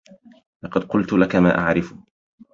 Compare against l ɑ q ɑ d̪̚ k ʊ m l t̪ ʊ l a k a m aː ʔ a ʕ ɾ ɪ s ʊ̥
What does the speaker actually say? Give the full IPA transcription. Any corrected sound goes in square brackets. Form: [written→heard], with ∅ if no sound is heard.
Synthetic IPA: l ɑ q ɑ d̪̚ [k→q] ʊ [m→∅] l t̪ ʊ l a k a m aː ʔ a ʕ ɾ ɪ [s→f] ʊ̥